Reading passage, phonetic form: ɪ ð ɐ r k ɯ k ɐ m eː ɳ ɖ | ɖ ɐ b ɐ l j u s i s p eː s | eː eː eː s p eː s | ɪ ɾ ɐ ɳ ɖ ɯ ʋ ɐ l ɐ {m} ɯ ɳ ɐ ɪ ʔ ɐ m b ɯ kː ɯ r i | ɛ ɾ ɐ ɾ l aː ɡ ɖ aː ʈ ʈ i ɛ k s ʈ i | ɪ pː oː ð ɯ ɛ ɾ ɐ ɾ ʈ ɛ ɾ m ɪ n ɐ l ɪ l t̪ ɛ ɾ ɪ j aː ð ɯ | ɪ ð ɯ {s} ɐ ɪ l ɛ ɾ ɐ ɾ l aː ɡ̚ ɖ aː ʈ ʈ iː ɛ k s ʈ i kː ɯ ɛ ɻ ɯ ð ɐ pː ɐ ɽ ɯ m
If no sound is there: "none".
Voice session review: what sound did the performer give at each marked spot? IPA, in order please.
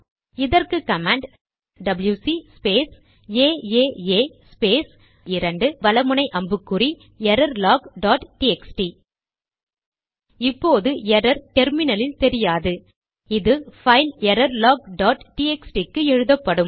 m, f

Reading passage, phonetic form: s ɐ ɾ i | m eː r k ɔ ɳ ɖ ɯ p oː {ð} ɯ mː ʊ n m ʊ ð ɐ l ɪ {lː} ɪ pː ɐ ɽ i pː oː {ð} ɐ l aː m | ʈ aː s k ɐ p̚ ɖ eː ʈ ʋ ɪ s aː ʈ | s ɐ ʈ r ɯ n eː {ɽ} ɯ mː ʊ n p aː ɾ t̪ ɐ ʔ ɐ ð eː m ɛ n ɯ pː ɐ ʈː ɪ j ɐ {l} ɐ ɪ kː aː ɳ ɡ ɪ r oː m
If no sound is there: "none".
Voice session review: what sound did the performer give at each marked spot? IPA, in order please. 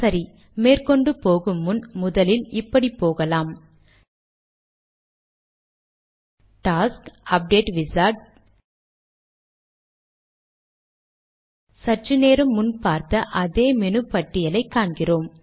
ɣ, l, ɣ, ɾ, l

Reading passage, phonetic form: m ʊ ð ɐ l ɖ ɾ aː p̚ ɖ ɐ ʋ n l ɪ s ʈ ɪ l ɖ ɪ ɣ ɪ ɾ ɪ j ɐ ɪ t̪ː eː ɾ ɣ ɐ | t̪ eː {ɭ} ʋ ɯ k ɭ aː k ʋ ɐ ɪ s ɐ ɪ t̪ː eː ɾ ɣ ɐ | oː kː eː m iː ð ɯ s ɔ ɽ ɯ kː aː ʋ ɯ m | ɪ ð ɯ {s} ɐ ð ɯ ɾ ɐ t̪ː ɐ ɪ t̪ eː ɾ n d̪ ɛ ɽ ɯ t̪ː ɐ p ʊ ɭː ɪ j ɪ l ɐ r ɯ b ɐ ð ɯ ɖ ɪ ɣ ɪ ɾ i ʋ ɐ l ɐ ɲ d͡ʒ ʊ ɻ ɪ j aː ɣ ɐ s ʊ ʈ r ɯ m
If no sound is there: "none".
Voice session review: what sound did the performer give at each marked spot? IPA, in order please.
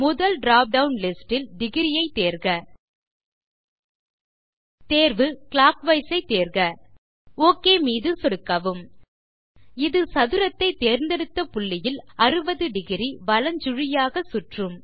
ɾ, s

